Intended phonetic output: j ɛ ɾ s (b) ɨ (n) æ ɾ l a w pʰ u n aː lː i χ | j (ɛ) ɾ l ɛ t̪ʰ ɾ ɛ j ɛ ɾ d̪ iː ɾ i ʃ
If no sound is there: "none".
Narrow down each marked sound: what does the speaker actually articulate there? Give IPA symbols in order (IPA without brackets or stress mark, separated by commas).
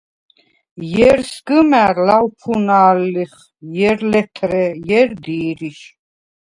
ɡ, m, ɛ